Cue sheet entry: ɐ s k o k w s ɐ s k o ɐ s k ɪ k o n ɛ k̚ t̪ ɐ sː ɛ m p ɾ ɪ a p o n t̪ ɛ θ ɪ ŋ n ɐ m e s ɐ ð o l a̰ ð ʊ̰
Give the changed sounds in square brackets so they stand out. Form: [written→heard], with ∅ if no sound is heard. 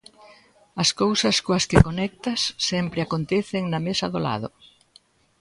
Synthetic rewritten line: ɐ s k o [k→∅] w s ɐ s k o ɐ s k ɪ k o n ɛ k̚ t̪ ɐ sː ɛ m p ɾ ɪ a [p→k] o n t̪ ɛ θ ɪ ŋ n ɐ m e s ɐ ð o l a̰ ð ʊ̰